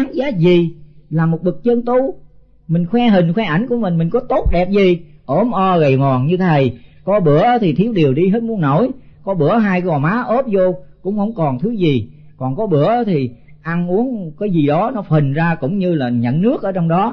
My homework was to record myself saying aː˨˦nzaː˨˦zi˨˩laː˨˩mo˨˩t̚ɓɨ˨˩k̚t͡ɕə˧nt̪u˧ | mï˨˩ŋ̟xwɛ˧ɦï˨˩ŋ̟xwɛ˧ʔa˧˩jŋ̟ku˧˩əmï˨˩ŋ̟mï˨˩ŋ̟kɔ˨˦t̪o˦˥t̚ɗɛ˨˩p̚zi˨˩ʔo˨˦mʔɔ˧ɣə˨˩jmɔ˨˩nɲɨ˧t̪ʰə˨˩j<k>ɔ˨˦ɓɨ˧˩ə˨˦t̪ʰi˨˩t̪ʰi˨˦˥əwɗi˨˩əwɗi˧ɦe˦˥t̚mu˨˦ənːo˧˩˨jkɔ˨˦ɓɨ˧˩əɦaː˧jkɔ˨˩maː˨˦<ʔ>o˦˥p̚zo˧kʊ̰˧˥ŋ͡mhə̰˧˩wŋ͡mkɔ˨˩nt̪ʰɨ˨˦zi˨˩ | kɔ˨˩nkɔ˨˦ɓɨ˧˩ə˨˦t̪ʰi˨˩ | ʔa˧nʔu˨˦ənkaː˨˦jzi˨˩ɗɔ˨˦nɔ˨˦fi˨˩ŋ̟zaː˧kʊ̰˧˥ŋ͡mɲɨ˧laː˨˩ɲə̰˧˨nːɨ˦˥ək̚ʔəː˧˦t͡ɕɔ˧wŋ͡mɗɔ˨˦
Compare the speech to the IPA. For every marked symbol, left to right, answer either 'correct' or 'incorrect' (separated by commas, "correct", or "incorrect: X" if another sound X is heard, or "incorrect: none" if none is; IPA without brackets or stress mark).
correct, correct